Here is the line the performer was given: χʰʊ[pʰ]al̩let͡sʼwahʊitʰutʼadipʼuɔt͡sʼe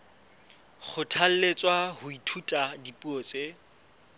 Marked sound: incorrect: tʰ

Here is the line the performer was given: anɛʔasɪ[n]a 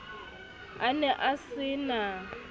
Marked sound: correct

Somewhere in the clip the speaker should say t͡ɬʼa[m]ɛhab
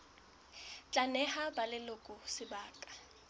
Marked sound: incorrect: n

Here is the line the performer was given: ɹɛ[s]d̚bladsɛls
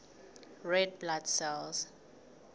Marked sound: incorrect: none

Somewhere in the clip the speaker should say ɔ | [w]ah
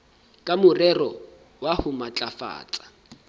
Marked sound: correct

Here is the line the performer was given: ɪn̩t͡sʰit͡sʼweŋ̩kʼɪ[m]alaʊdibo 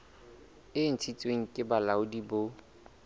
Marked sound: incorrect: b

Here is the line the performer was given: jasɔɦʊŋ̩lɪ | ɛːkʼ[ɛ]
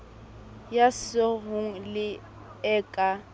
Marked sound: incorrect: a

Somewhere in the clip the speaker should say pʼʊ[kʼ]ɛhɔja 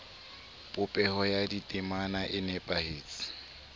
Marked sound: incorrect: pʼ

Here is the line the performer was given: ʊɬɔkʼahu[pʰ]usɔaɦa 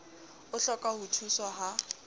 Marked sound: incorrect: tʰ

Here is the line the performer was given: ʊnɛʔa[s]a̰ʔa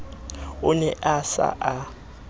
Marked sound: correct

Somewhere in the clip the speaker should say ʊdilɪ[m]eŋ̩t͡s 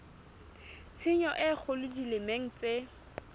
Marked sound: correct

